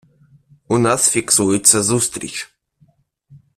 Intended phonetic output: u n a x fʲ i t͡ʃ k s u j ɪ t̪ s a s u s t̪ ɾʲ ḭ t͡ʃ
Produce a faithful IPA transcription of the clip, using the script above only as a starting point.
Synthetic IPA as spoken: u n a s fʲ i k s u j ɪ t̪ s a z u s t̪ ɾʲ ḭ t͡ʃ